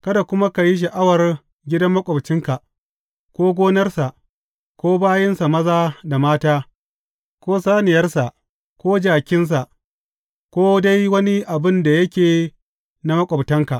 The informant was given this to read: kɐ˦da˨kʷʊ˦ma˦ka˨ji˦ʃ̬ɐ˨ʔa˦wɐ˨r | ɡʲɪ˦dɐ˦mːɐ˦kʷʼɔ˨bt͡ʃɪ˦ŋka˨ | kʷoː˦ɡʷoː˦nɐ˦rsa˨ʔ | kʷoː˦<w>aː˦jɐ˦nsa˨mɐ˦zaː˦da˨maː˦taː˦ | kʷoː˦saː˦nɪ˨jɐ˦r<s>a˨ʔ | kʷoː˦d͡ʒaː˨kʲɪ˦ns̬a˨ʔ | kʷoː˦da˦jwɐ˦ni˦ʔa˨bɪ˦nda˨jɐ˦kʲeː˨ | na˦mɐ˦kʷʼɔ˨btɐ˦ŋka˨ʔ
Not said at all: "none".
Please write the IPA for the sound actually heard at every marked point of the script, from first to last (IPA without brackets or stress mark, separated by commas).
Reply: b, s